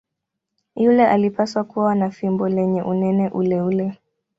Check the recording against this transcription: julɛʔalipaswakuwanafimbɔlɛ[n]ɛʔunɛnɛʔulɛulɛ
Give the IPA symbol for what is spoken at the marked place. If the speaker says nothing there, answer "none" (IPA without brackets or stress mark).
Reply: ɲ